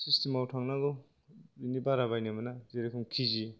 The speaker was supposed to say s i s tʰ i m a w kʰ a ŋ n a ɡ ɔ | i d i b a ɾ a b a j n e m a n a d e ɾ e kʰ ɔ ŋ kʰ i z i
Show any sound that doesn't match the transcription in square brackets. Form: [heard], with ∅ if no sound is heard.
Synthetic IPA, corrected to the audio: s i s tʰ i m a w [tʰ] a ŋ n a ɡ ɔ | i [n] i b a ɾ a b a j n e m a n a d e ɾ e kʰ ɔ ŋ kʰ i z i